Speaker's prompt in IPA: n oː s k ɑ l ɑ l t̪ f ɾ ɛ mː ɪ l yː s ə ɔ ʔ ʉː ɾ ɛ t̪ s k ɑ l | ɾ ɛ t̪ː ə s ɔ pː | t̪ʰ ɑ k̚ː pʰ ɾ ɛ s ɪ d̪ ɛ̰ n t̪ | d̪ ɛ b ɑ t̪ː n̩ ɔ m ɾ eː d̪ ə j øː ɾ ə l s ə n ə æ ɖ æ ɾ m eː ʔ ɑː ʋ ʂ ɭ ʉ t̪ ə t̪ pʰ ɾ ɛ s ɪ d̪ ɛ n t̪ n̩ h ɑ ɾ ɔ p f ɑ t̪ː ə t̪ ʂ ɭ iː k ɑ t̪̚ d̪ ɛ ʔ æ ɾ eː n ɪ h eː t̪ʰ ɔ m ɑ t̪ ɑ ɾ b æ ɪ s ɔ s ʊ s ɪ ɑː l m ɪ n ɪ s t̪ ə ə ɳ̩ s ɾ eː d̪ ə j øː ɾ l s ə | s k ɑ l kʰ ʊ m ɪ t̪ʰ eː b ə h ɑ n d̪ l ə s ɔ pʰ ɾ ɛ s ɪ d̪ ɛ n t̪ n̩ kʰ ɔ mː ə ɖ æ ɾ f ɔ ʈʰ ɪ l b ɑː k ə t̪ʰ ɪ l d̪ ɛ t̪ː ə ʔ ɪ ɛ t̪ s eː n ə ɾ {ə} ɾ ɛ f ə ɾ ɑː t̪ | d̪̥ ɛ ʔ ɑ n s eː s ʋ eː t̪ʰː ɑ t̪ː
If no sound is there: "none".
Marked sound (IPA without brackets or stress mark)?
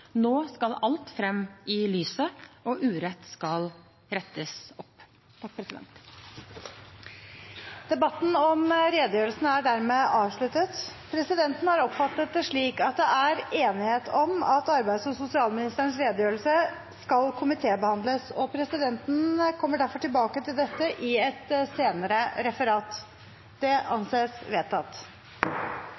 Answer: ə